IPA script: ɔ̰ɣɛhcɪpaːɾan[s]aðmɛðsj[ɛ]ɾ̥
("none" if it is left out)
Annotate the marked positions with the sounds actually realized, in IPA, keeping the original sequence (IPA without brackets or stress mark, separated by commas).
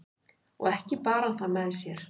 θ, ɛ